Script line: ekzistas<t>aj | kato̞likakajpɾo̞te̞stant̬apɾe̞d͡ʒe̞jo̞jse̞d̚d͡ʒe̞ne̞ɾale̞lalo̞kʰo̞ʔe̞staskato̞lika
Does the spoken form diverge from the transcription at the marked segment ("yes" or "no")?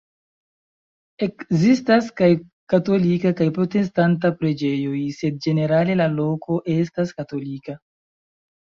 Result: yes